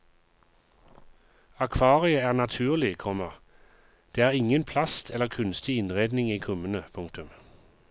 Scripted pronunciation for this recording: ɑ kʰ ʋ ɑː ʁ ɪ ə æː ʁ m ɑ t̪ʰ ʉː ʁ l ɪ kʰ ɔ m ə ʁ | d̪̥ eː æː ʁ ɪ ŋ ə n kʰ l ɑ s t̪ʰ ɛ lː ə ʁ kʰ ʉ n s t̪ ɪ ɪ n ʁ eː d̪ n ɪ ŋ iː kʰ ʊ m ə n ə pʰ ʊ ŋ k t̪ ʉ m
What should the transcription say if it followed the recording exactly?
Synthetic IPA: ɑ kʰ ʋ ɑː ʁ ɪ ə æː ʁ n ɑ t̪ʰ ʉː ʁ l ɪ kʰ ɔ m ə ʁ | d̪̥ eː æː ʁ ɪ ŋ ə n pʰ l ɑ s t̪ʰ ɛ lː ə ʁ kʰ ʉ n s t̪ ɪ ɪ n ʁ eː d̪ n ɪ ŋ iː kʰ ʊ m ə n ə pʰ ʊ ŋ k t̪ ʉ m